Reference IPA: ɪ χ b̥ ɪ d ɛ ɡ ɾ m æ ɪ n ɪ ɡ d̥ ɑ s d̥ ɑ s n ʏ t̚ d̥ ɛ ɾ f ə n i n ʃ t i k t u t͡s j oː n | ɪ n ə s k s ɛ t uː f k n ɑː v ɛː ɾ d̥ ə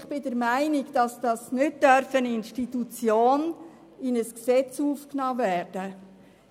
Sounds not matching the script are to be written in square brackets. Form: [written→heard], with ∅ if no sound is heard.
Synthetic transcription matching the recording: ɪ χ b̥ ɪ d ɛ [ɡ→∅] ɾ m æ ɪ n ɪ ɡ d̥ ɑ s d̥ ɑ s n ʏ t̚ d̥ [ɛ→œ] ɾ f ə n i n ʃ t i [k→∅] t u t͡s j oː n | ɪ n ə s k s ɛ [t→t͡s] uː f k n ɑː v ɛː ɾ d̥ ə